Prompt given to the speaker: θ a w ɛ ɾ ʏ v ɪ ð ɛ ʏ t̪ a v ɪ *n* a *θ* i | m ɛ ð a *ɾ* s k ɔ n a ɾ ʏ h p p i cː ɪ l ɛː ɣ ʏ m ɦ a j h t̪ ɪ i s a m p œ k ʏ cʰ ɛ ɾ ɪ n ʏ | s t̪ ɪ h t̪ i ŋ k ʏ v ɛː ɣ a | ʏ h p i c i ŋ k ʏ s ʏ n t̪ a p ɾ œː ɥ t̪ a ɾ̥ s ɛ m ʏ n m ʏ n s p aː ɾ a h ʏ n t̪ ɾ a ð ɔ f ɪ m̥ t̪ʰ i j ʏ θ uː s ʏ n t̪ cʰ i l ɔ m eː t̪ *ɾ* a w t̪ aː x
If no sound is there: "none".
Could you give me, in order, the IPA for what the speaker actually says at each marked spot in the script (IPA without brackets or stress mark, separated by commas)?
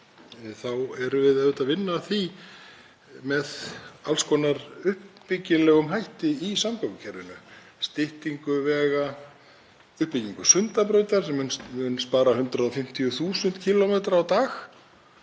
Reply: nː, θ, l, ɾ